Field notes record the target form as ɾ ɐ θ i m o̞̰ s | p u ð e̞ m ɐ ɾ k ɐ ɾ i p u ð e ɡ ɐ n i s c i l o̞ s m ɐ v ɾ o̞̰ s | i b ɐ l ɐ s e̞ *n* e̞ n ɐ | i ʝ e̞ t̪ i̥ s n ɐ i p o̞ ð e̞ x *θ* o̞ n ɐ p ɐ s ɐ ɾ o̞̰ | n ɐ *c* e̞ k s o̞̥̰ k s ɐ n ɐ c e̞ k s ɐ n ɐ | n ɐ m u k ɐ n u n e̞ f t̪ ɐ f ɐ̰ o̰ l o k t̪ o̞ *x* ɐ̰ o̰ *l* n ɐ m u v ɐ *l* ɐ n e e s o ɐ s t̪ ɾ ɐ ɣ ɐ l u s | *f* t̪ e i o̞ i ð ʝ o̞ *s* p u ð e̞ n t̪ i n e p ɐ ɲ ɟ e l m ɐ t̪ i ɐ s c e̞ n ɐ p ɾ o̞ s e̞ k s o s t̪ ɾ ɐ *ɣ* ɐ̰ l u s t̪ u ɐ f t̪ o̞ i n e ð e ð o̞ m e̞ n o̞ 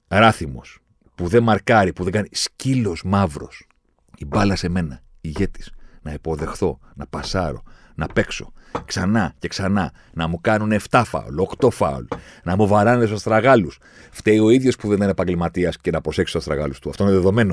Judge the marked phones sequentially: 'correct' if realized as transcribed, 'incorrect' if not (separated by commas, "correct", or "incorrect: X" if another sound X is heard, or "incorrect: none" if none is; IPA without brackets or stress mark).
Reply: incorrect: m, correct, incorrect: p, incorrect: f, correct, incorrect: ɾ, correct, correct, correct